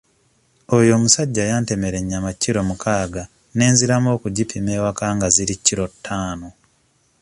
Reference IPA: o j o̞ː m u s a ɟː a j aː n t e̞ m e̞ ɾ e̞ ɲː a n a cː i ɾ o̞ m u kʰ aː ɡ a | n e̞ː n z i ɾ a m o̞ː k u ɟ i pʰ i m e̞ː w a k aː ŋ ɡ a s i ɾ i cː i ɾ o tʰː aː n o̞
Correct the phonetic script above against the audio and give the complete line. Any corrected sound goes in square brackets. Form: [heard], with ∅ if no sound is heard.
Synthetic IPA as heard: o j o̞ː m u s a ɟː a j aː n t e̞ m e̞ ɾ e̞ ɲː a [m] a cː i ɾ o̞ m u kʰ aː ɡ a | n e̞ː n z i ɾ a m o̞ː k u ɟ i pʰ i m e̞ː w a k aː ŋ ɡ a [z] i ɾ i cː i ɾ o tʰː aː n o̞